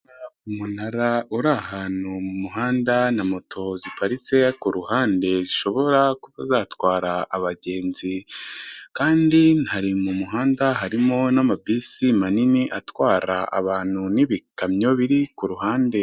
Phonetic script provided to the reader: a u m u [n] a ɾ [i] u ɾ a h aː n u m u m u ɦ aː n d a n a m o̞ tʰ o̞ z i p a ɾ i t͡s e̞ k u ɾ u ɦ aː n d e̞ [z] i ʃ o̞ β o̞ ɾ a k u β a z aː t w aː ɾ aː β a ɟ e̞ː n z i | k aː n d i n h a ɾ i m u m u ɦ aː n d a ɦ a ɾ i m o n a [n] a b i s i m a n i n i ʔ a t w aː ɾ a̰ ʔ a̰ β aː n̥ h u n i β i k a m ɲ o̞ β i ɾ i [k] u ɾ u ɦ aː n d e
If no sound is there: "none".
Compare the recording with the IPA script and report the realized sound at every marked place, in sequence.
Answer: n, a, z, m, k

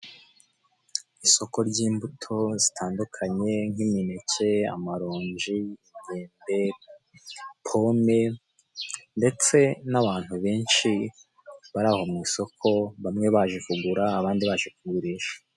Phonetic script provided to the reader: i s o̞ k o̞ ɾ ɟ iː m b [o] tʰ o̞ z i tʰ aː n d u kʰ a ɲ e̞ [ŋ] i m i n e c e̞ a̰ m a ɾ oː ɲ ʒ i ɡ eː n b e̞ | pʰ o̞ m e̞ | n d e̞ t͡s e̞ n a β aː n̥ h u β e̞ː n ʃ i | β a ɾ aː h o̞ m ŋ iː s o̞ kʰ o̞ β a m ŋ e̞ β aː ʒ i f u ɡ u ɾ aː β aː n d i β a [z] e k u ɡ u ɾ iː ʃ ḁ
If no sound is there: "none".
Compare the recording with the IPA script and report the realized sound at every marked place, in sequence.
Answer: u, ŋ, ʒ

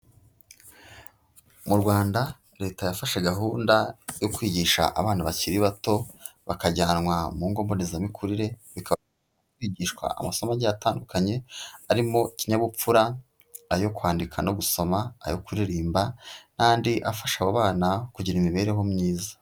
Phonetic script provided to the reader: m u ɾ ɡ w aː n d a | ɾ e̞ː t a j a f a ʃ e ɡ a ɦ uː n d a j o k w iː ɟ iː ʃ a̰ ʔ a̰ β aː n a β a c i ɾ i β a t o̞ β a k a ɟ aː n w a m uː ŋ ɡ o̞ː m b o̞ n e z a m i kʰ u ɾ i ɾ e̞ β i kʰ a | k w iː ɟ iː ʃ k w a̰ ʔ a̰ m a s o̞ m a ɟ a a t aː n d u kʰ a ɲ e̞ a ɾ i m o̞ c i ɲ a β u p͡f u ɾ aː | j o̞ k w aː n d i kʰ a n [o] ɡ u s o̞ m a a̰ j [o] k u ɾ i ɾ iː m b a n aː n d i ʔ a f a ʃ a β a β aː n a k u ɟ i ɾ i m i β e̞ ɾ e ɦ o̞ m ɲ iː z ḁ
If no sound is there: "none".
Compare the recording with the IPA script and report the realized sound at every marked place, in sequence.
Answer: o, o

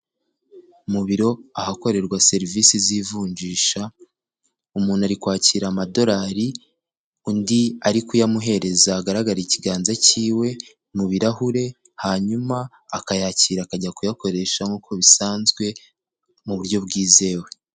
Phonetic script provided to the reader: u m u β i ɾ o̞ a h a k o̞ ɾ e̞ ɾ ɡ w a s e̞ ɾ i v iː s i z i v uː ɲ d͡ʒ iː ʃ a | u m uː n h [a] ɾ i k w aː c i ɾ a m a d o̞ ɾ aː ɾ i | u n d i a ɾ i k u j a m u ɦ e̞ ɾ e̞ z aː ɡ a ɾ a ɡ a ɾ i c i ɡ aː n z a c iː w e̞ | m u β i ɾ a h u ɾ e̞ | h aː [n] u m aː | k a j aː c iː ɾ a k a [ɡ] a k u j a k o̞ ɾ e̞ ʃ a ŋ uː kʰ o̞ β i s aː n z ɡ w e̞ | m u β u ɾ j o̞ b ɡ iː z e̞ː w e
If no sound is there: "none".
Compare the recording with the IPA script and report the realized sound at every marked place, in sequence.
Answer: a, ɲ, ɟ

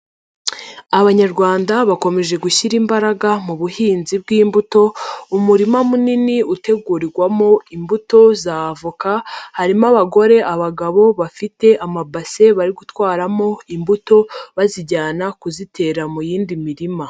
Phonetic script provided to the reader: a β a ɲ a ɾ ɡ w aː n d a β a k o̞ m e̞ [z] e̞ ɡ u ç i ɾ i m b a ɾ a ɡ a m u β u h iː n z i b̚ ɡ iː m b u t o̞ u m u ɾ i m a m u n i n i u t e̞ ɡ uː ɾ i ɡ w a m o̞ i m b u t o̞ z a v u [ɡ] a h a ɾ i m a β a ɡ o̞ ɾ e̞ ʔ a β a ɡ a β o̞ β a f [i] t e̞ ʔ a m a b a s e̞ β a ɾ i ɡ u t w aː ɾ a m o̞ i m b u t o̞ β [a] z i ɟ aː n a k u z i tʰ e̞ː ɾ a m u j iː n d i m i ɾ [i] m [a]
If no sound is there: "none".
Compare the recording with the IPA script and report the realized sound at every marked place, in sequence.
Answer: ʒ, k, i, a, i, a

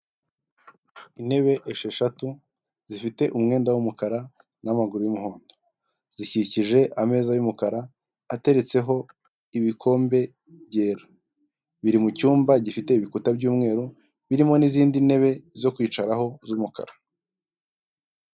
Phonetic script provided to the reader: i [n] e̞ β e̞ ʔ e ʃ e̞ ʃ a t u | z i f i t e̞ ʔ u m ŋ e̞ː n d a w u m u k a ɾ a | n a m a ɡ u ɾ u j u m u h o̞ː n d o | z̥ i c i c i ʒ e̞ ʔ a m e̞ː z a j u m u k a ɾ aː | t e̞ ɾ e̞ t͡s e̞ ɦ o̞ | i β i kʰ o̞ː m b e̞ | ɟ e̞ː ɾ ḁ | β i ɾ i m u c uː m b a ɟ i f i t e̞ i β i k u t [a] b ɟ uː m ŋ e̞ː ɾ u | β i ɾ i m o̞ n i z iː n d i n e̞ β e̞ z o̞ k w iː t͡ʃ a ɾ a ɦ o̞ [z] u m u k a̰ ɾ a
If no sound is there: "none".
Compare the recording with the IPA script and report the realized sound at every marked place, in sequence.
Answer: n, a, z

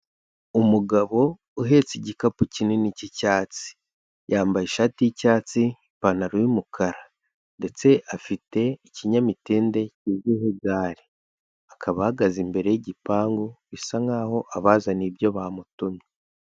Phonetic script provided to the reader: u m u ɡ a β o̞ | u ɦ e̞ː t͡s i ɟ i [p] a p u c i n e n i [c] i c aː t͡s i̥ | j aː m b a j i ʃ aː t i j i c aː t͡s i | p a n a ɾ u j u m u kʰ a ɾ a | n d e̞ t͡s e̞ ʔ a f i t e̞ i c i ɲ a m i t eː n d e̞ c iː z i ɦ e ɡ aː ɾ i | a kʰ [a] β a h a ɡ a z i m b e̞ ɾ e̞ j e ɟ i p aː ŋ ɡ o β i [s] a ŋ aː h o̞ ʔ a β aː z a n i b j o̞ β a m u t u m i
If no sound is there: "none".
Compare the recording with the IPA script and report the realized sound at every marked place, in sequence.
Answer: k, c, a, s

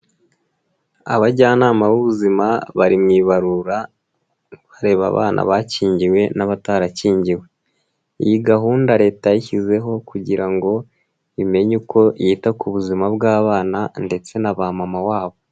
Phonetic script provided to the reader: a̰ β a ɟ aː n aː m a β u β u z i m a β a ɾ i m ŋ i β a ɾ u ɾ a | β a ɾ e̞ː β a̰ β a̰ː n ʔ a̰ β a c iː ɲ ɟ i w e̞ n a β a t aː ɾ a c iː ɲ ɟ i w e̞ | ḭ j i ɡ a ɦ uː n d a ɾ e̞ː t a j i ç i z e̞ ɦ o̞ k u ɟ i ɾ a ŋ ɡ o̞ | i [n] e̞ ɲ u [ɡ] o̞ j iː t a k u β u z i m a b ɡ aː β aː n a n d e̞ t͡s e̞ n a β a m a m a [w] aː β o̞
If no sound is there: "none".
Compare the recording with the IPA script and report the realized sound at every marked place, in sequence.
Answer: m, k, w

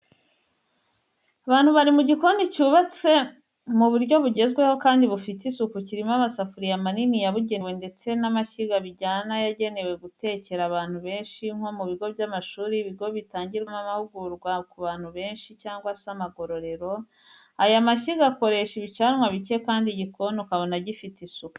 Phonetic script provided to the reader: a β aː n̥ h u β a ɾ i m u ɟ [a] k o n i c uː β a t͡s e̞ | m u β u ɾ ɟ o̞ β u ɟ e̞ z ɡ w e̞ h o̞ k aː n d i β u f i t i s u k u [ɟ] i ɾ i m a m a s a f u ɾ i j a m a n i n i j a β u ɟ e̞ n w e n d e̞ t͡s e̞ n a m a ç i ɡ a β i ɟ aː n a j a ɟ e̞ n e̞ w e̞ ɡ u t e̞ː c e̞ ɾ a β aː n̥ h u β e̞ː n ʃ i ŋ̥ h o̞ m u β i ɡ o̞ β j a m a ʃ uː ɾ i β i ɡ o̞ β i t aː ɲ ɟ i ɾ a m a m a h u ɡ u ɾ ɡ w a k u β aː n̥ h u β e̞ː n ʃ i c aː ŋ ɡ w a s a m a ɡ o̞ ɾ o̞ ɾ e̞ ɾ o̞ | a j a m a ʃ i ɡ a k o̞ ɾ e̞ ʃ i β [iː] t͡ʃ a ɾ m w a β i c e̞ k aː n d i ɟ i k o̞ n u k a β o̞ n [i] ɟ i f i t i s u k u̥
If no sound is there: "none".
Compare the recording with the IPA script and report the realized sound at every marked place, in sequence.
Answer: i, c, i, a

